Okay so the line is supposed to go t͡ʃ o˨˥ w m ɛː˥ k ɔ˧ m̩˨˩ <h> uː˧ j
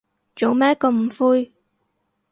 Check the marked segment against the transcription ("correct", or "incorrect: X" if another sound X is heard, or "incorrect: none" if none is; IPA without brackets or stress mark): incorrect: f